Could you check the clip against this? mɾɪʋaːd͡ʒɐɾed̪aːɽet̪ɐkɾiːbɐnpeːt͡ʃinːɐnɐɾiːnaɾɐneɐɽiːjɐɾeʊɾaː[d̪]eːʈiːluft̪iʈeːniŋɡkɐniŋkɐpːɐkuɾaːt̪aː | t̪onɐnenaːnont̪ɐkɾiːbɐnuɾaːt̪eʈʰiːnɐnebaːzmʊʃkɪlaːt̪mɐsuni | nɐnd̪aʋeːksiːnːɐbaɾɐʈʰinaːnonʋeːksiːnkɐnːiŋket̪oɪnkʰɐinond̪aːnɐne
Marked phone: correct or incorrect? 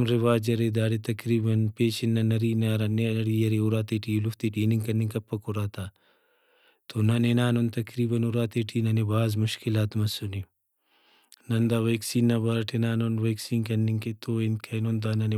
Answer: incorrect: t̪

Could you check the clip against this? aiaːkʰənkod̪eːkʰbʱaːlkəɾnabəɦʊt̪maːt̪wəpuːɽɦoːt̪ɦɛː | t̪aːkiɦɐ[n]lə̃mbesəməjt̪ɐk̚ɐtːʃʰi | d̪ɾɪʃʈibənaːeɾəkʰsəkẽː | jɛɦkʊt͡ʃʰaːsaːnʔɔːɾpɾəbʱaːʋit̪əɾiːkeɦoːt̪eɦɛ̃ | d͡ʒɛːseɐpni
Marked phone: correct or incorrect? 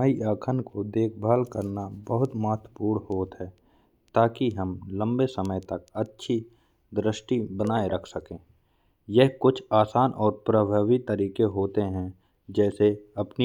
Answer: incorrect: m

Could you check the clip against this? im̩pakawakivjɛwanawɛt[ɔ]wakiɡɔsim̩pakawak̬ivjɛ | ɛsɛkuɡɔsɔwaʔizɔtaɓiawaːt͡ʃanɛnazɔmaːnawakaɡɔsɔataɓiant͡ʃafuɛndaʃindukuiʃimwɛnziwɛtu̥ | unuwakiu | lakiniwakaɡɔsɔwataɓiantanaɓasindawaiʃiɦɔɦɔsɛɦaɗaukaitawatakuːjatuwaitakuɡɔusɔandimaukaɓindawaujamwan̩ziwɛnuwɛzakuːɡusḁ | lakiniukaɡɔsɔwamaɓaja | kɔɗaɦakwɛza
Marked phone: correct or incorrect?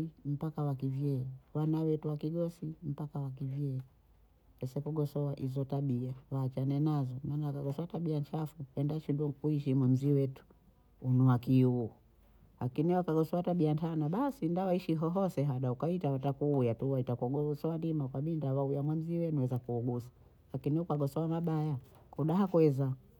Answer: incorrect: u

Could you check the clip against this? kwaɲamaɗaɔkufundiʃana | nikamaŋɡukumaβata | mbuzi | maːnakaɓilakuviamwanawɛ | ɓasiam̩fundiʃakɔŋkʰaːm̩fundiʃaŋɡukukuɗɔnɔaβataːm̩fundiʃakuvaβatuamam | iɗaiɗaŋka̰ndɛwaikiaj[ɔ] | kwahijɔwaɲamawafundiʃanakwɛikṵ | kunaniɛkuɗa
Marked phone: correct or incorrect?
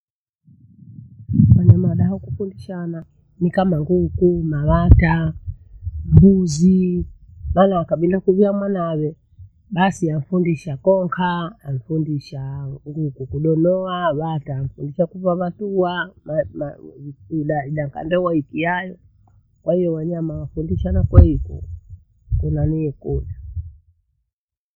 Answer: correct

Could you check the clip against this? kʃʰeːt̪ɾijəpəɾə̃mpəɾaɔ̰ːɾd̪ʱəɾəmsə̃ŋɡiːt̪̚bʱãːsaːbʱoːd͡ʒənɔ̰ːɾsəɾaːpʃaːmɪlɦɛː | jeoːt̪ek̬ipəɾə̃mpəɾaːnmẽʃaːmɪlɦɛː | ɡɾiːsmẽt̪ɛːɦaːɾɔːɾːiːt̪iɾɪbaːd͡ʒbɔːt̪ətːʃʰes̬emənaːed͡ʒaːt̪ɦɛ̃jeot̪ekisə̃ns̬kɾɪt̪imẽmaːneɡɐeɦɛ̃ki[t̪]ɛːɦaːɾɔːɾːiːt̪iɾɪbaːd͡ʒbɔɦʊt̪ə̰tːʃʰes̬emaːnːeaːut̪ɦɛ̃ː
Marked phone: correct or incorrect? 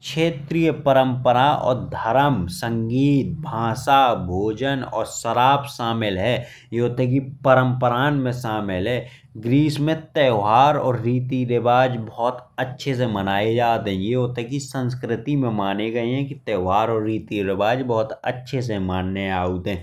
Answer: correct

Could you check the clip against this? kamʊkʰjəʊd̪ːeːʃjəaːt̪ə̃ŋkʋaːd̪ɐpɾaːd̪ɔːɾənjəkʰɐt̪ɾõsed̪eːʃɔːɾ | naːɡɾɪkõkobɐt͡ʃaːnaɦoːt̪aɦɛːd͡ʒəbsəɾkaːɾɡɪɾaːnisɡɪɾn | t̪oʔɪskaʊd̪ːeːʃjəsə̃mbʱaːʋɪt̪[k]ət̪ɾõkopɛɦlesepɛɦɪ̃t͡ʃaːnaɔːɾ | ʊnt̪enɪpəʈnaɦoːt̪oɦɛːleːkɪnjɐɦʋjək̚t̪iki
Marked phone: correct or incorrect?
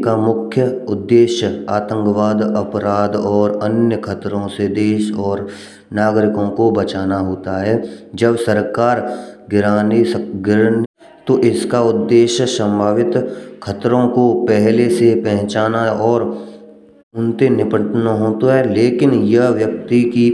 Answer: incorrect: kʰ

